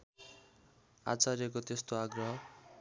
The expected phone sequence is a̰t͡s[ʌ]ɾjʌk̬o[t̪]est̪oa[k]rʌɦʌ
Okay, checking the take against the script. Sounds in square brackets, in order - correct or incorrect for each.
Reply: incorrect: a, correct, incorrect: ɡ

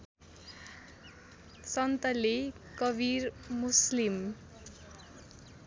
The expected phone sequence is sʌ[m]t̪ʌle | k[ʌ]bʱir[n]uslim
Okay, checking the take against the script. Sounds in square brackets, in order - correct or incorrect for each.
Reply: incorrect: n, correct, incorrect: m

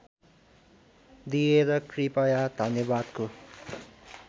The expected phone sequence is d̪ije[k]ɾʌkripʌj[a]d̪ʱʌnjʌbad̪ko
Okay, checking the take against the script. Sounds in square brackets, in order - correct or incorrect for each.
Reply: incorrect: none, correct

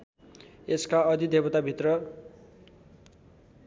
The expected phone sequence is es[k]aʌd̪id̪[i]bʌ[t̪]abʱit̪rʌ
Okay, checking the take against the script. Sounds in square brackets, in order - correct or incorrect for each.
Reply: correct, incorrect: e, correct

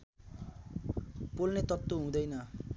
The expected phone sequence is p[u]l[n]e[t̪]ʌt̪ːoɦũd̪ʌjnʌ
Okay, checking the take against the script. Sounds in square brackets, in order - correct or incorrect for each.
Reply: incorrect: o, correct, correct

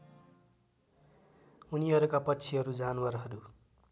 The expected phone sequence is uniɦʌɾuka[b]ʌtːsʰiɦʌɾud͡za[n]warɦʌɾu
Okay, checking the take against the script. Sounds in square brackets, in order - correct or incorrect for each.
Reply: incorrect: p, correct

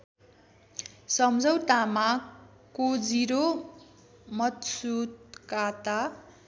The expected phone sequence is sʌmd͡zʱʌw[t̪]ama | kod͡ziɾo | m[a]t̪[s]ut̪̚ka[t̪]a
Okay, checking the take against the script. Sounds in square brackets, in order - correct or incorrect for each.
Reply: correct, incorrect: ʌ, correct, correct

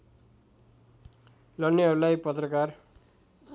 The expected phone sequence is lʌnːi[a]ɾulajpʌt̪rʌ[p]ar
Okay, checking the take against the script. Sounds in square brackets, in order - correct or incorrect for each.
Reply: incorrect: ʌ, incorrect: k

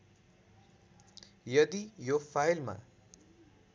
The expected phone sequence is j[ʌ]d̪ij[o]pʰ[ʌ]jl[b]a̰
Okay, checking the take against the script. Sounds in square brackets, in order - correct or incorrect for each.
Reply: correct, correct, incorrect: a, incorrect: m

